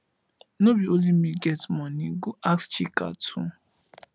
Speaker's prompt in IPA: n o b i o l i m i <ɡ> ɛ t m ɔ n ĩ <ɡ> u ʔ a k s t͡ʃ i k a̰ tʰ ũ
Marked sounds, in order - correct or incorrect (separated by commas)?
correct, correct